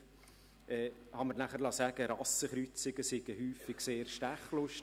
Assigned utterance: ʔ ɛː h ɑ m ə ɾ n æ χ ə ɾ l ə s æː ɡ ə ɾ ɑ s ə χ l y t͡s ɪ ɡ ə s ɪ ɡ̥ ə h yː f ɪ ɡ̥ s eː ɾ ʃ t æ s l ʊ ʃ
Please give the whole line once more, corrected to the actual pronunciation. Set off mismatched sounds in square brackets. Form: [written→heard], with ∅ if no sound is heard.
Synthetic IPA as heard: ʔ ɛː h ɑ m ə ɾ n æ χ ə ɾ l [ə→ɑ] s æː ɡ ə ɾ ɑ s ə χ [l→ɾ] y t͡s ɪ ɡ ə s ɪ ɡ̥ ə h yː f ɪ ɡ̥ s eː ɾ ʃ t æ [s→χ] l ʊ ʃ